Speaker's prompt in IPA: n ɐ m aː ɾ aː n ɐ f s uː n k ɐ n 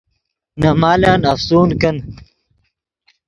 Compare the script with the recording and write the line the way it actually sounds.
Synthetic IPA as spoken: n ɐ m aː l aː n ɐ f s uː n k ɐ n